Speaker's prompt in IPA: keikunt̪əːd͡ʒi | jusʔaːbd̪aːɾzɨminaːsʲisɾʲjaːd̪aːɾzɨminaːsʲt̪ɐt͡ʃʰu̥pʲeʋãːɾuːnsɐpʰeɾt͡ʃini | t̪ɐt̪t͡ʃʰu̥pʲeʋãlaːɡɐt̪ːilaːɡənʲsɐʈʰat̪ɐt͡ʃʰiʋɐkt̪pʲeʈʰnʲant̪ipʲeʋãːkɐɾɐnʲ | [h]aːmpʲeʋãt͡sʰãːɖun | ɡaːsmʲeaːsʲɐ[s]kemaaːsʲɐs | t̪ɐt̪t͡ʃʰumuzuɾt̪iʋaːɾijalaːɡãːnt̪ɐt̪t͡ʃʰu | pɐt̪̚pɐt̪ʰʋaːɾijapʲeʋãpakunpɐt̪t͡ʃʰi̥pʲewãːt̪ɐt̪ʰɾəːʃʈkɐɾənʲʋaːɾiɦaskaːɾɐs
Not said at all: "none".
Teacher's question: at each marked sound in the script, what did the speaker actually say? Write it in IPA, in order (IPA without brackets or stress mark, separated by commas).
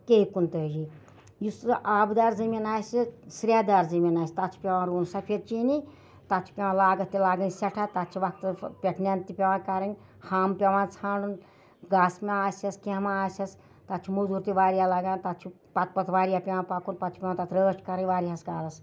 h, s